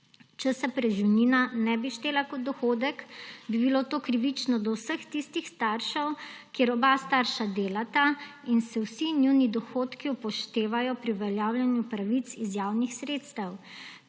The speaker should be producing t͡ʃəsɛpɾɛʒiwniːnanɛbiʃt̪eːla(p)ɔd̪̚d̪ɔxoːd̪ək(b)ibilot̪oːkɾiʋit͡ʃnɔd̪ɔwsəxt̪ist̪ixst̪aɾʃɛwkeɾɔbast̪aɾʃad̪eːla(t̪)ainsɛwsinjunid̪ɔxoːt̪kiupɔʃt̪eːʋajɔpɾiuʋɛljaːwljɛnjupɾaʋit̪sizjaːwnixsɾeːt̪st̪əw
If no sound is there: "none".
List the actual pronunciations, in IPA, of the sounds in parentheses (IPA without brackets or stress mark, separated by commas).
k, b, t̪